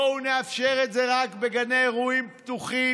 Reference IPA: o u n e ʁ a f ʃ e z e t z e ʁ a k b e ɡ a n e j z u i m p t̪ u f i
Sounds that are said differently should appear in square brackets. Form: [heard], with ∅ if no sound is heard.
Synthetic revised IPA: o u n e [∅] a f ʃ e [ʁ] e t z e ʁ a k b e ɡ a n e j [ʁ] u i m p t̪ u [χ] i